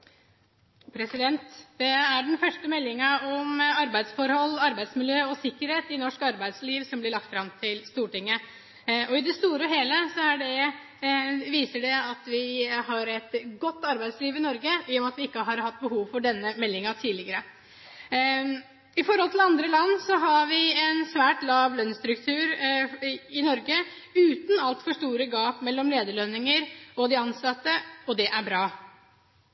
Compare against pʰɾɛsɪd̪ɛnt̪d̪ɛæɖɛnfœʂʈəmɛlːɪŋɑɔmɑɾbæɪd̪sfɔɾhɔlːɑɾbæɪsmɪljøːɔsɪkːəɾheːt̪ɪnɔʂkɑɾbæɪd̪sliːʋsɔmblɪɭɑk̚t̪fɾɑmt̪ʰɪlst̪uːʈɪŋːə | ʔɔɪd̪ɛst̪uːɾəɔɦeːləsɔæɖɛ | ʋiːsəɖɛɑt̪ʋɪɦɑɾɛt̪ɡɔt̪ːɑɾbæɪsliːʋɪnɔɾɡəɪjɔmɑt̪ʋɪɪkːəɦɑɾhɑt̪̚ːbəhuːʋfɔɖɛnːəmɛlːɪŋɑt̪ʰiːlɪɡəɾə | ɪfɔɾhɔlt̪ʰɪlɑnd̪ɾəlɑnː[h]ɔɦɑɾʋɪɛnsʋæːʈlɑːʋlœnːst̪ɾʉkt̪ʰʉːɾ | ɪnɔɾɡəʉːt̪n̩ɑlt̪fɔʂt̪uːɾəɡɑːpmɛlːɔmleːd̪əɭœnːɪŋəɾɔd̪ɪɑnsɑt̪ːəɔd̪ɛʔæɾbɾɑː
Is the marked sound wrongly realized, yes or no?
yes